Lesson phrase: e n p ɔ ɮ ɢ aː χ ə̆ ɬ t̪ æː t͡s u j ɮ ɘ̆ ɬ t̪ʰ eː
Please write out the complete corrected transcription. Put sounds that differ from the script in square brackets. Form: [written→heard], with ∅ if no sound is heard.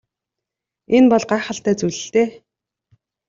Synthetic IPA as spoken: e n p ɔ ɮ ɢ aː χ ə̆ ɬ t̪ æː t͡s u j ɮ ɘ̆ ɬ [t̪ʰ→t̪] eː